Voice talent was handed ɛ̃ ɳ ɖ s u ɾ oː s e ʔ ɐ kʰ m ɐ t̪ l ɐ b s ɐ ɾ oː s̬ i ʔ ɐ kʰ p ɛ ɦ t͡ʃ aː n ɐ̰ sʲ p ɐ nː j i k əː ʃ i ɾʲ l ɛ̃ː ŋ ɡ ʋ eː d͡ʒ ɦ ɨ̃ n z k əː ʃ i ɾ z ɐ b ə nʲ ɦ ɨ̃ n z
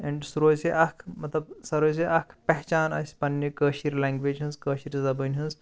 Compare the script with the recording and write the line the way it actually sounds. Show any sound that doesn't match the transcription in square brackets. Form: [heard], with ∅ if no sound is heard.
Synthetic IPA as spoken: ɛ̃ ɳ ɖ s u ɾ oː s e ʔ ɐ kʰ m ɐ t̪ l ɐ b s ɐ ɾ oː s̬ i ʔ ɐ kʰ p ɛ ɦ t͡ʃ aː n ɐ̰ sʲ p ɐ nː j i k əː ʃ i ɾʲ l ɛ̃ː ŋ ɡ ʋ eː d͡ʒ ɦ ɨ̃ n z k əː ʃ i ɾ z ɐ b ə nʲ ɦ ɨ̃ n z